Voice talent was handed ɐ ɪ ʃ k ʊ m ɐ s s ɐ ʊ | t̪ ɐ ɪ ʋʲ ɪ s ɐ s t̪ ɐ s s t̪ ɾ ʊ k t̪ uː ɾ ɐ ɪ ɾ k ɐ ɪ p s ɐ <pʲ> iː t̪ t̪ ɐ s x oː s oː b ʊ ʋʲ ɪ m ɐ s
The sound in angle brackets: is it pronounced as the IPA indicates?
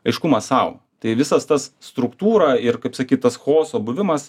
no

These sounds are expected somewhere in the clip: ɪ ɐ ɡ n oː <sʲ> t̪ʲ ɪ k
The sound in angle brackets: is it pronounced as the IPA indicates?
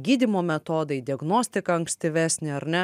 yes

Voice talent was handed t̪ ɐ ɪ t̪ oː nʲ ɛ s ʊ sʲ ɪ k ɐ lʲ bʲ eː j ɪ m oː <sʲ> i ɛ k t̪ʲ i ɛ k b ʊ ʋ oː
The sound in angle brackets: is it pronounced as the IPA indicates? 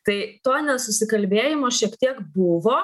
no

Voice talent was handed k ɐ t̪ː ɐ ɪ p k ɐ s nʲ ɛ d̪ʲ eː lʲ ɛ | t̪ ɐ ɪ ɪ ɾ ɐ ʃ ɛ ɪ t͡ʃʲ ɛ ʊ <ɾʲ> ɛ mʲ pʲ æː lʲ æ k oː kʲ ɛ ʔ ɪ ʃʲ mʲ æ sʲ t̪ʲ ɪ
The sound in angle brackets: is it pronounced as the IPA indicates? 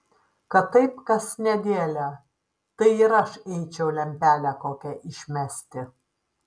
no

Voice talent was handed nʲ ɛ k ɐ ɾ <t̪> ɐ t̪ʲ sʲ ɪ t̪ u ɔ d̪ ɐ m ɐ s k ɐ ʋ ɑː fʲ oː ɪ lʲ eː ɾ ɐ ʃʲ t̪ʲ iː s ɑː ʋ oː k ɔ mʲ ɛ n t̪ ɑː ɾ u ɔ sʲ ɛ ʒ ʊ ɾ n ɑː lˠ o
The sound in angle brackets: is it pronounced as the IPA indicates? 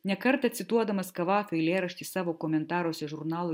yes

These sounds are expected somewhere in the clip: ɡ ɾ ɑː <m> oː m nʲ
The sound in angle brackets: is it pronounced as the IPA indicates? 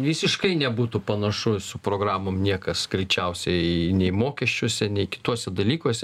yes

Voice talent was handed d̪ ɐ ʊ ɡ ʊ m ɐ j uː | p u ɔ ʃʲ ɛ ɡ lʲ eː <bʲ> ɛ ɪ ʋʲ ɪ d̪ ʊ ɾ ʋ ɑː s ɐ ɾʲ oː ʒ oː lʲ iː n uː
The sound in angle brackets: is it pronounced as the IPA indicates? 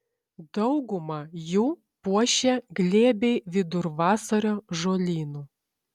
yes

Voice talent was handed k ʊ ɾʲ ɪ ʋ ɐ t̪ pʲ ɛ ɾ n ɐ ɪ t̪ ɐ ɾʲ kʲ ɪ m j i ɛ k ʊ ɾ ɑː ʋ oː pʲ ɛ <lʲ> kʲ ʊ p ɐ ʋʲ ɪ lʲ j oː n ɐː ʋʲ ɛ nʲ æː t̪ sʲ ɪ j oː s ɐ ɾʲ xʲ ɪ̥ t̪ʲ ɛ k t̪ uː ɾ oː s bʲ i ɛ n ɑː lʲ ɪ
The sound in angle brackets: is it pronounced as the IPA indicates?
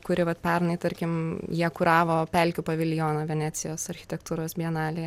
yes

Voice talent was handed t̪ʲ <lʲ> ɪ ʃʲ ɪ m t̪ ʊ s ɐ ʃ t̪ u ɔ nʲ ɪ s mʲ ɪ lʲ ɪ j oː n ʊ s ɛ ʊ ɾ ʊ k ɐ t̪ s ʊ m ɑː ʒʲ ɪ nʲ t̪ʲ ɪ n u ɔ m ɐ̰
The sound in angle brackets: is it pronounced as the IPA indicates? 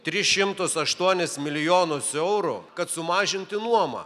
no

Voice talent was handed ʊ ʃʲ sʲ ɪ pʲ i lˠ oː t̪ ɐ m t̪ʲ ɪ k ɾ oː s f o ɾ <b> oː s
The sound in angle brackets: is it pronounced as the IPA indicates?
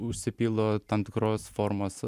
no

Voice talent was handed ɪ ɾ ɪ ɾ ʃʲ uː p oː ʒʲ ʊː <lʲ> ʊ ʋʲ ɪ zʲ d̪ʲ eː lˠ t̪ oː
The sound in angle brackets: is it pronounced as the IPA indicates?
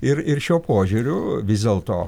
no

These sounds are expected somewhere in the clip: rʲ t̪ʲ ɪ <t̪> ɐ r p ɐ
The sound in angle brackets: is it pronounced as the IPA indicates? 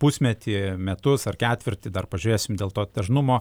no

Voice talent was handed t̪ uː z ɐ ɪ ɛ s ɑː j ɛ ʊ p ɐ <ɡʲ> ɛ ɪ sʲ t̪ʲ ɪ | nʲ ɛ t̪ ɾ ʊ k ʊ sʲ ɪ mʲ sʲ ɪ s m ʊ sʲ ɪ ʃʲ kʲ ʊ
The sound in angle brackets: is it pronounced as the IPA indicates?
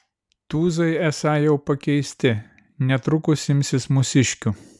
no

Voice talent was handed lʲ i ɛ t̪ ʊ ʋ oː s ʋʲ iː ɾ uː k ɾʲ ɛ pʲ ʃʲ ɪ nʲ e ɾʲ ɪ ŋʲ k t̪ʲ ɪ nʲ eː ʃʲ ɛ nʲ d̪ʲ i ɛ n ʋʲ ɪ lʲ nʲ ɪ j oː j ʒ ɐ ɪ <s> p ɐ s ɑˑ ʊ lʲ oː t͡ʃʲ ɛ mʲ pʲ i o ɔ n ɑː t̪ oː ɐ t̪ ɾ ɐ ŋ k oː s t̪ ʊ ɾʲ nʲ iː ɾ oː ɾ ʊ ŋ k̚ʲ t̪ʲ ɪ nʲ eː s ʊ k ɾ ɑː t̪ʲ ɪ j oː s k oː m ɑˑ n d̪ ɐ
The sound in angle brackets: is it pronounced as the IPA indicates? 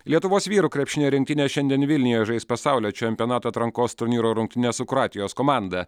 yes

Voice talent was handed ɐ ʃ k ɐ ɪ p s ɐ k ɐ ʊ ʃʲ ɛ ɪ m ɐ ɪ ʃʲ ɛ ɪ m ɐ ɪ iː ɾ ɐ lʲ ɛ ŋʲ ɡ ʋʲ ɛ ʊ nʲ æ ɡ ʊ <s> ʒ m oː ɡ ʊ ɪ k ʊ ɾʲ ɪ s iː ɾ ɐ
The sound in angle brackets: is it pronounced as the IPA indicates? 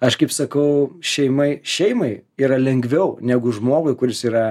no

